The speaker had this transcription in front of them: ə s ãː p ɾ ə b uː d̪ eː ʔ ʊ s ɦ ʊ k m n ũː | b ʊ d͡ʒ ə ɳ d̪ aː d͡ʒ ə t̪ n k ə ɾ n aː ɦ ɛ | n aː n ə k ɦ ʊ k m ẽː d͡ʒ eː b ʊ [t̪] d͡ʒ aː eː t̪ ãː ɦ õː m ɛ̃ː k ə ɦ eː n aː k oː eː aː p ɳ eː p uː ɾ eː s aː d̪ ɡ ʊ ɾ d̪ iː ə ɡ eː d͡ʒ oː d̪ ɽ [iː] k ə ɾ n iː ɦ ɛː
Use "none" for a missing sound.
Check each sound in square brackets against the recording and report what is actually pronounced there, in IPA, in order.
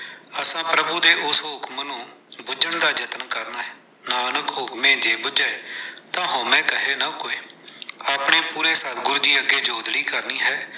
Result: none, iː

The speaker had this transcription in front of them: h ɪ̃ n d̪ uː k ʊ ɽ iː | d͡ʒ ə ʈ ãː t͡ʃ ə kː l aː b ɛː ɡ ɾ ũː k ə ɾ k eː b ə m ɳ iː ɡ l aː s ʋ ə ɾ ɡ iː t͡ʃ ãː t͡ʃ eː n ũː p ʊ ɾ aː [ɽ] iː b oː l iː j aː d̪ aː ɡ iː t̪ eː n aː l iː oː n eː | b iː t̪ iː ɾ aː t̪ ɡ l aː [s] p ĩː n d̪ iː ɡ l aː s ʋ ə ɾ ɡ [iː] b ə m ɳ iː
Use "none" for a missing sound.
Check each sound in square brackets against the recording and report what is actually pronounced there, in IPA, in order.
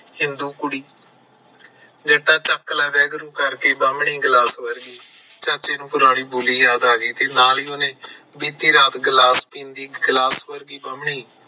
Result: ɽ, s, iː

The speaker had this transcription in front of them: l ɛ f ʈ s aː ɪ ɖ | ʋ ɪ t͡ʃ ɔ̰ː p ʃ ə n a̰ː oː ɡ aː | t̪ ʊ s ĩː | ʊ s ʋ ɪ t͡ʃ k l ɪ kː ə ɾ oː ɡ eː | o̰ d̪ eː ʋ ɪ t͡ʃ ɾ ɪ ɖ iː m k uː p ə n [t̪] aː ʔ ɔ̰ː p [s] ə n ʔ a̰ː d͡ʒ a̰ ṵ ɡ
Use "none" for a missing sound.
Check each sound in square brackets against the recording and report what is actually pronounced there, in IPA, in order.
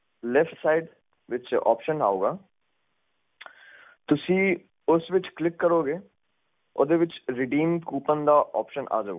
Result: d̪, ʃ

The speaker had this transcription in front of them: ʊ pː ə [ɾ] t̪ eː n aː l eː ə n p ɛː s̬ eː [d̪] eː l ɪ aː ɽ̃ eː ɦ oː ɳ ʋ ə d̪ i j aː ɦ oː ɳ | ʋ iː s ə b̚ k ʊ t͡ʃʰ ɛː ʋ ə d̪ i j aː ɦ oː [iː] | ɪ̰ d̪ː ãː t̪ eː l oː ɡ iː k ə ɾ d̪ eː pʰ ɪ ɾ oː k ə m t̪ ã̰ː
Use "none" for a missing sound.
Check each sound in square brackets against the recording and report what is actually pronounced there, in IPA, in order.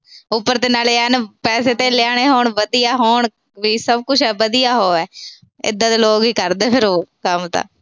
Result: ɾ, t̪, ɛː

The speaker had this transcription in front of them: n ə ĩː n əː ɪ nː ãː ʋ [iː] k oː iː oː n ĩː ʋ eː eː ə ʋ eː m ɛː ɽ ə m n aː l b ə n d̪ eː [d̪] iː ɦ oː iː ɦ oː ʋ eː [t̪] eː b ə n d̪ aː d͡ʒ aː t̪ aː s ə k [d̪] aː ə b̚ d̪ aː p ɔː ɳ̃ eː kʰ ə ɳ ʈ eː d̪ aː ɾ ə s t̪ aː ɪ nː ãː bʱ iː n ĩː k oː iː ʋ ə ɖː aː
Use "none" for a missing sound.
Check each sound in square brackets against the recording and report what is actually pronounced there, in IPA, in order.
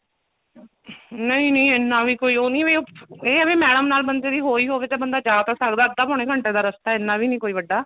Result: iː, d̪, t̪, d̪

